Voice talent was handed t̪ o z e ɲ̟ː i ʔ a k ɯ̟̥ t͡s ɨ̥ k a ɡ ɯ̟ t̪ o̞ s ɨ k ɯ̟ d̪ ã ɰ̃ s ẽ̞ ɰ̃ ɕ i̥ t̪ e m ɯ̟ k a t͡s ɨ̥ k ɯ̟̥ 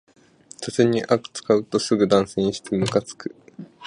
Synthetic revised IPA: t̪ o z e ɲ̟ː i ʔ a k ɯ̟̥ t͡s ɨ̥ k a ɯ̟ t̪ o̞ s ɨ ɡ ɯ̟ d̪ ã ɰ̃ s ẽ̞ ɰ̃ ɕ i̥ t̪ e m ɯ̟ k a t͡s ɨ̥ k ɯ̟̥